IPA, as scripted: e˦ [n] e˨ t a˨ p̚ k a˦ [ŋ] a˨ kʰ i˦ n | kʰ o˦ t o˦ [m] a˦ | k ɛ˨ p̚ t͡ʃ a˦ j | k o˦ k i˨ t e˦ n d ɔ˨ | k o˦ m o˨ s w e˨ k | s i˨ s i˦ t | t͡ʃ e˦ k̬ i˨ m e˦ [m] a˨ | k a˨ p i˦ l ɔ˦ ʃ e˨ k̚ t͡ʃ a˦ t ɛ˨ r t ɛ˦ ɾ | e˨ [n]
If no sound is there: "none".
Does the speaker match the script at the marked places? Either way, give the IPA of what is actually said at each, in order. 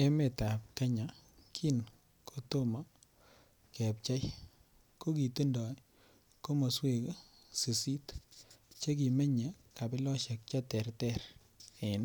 m, ɲ, m, ɲ, n

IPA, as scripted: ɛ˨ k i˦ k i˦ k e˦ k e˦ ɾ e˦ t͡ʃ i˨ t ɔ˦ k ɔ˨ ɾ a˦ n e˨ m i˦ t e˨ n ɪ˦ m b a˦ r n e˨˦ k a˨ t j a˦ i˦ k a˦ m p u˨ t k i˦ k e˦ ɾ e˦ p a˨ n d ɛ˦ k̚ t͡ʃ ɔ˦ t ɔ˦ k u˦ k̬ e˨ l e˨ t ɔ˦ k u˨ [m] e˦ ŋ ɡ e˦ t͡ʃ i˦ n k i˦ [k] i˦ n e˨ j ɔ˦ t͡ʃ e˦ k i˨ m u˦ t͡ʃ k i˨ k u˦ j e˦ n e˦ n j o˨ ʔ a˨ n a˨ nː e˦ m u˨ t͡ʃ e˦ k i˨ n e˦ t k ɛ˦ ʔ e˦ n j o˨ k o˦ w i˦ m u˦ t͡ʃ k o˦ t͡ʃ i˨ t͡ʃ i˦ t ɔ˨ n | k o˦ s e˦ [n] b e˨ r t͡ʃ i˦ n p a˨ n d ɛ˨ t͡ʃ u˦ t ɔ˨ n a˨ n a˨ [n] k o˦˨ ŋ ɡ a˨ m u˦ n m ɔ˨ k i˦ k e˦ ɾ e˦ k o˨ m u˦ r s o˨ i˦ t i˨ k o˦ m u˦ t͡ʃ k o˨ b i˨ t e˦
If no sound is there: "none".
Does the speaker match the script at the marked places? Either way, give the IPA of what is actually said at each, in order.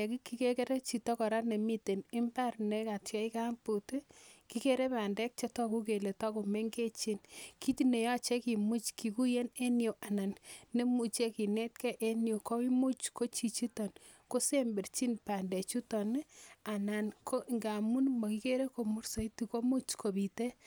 m, t, m, n

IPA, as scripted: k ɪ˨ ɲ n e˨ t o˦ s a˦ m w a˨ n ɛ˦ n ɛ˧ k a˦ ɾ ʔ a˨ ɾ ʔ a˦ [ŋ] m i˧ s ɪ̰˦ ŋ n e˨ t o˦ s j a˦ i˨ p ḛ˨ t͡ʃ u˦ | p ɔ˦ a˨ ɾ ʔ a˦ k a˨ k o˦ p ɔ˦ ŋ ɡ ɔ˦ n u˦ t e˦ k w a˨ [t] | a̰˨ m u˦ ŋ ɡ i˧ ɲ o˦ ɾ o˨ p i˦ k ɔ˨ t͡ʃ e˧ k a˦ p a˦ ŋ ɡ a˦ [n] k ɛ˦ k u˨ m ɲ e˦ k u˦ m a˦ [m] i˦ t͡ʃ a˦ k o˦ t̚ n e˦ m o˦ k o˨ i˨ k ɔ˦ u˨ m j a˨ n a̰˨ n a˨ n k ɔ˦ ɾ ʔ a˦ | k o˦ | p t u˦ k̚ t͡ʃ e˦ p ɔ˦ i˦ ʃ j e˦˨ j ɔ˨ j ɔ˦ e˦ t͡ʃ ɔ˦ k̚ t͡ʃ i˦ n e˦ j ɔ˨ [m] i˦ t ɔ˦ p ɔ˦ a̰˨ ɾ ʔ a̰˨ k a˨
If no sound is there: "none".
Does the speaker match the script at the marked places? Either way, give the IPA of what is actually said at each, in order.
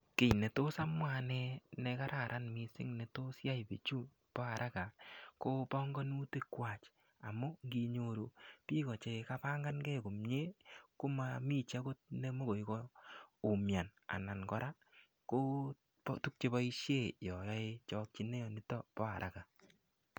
n, t͡ʃ, n, m, n

